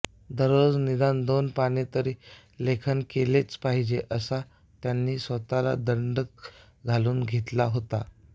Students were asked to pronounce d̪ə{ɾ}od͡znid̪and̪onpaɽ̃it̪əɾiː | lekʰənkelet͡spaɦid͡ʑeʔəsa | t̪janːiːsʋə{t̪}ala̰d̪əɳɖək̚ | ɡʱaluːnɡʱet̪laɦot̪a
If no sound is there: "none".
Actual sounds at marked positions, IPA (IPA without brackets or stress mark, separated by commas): ɾ, t̪